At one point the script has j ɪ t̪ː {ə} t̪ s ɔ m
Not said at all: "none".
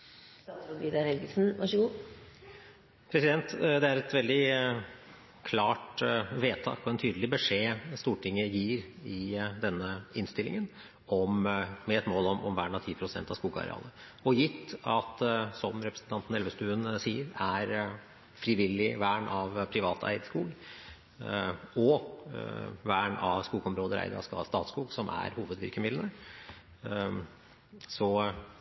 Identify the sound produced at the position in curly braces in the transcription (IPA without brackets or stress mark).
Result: ɑ